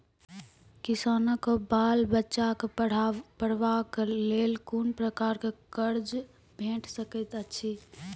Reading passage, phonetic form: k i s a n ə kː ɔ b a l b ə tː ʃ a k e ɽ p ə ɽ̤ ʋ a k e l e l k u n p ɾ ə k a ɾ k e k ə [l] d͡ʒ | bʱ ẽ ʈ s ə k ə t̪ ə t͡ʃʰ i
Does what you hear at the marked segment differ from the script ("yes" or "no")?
yes